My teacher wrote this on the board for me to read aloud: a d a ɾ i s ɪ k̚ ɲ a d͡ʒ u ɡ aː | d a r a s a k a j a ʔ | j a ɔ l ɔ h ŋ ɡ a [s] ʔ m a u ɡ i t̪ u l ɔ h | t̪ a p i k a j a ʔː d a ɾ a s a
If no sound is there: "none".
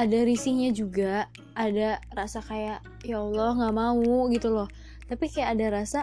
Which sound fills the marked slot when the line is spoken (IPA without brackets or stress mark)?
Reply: none